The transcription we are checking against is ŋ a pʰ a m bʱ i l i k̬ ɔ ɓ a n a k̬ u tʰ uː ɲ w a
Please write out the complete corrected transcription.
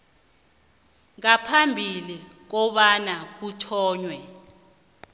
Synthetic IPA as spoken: ŋ a pʰ a m bʱ i l i k̬ ɔ ɓ a n a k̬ u tʰ ɔː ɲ w ɛ